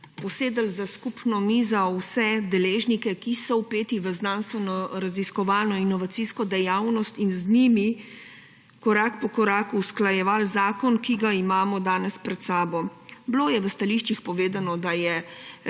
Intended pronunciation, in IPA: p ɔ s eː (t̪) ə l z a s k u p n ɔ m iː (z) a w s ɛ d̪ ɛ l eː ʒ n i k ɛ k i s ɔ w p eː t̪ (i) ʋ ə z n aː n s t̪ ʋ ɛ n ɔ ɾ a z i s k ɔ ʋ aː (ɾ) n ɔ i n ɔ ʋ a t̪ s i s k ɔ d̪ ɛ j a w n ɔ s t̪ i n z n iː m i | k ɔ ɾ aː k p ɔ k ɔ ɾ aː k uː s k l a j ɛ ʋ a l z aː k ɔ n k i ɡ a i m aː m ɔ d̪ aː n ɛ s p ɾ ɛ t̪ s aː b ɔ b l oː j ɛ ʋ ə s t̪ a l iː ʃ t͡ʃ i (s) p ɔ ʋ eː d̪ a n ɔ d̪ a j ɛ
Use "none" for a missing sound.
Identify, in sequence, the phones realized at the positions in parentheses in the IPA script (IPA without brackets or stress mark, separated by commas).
d̪, z, i, l, x